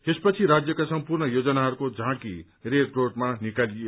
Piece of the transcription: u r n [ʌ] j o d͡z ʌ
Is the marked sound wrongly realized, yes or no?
no